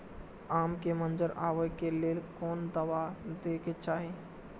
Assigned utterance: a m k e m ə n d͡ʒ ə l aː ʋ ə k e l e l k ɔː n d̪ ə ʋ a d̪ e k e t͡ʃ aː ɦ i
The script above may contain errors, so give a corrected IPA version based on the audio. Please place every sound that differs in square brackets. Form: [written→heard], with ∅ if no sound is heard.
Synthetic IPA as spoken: a m k e m ə n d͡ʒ ə [l→ɾ] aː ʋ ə k e l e l k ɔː n d̪ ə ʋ a d̪ e k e t͡ʃ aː ɦ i